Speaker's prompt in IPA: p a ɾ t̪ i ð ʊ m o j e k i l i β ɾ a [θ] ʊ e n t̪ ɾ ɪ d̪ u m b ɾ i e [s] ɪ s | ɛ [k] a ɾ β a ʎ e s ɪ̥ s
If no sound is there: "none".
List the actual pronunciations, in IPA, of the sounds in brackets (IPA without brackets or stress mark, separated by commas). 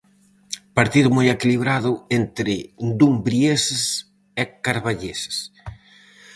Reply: ð, s, k